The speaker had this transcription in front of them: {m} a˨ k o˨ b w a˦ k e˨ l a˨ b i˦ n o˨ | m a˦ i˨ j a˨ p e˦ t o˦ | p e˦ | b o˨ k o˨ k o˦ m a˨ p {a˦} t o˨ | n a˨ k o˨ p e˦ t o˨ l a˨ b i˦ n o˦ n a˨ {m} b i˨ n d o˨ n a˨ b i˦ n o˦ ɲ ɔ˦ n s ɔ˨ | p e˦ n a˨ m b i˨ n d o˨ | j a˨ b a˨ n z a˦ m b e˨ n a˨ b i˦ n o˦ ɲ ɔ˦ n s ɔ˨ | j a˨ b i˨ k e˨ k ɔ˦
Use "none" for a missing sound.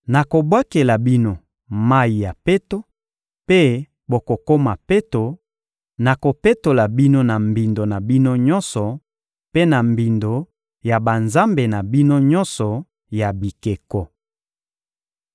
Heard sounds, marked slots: n, e˦, m

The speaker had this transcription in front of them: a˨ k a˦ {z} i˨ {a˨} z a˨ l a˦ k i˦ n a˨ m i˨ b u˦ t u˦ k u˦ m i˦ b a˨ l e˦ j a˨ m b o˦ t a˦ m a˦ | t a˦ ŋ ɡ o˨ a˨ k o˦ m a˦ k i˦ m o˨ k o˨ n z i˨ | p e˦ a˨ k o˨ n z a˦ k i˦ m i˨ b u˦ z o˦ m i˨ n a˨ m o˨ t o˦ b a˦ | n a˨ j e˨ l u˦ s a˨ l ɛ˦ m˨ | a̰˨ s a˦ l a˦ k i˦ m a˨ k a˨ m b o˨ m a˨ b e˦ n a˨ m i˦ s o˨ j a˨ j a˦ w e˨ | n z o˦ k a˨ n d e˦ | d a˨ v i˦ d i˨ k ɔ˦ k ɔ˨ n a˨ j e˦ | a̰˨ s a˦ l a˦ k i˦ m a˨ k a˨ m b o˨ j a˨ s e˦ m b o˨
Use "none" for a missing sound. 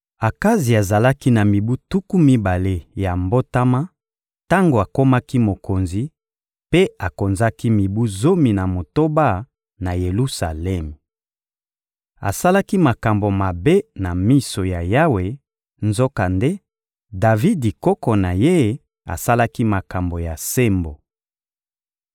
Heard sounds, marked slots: z, a˨

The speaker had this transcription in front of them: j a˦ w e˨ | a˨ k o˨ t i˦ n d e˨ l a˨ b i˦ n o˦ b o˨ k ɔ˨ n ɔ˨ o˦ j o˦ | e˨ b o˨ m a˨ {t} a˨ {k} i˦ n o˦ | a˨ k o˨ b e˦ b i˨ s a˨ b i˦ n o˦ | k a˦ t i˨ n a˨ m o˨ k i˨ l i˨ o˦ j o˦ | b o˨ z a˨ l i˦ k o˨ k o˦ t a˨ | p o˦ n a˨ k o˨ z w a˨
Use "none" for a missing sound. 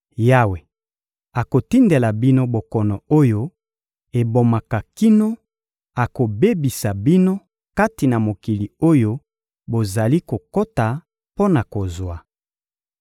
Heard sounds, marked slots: k, k

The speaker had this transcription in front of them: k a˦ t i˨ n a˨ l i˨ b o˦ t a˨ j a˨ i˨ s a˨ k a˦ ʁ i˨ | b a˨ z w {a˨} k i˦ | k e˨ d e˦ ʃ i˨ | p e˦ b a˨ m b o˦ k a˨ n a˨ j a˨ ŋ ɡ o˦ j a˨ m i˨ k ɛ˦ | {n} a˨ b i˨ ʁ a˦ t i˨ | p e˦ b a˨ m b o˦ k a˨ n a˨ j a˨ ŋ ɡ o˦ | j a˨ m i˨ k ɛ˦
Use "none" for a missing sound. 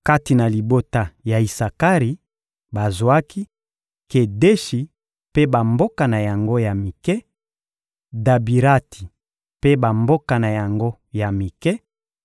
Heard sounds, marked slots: a˦, d

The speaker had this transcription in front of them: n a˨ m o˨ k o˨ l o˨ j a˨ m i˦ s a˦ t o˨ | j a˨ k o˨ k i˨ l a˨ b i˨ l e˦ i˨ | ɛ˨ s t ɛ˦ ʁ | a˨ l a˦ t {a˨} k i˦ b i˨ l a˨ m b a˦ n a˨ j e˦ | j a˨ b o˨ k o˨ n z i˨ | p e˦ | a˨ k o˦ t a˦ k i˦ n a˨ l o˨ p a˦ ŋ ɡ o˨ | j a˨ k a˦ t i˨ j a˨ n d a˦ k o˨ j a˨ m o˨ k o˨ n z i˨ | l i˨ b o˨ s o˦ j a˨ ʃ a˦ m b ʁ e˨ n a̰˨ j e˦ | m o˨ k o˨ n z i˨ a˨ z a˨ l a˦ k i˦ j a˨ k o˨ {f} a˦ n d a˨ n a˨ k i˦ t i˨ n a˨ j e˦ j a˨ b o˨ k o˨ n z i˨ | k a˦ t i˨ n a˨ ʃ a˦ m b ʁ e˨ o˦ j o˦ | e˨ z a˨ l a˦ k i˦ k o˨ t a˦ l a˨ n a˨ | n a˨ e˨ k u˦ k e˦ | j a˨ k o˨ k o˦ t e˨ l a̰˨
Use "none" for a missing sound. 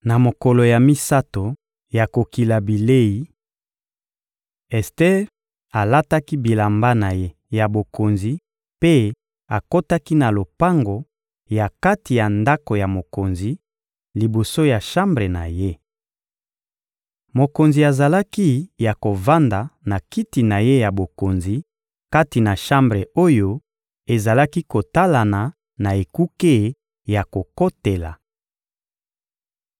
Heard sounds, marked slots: a˦, v

